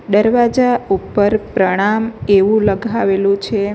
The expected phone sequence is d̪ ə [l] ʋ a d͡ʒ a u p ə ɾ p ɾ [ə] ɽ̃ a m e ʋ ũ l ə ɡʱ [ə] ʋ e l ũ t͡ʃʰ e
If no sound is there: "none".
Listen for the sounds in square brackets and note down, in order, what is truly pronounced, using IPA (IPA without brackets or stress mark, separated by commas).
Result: ɾ, ə, a